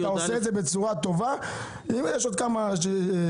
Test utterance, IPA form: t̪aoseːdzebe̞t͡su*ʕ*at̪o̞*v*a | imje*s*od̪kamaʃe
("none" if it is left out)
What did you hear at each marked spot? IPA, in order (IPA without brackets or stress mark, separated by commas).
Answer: ʁ, v, ʃ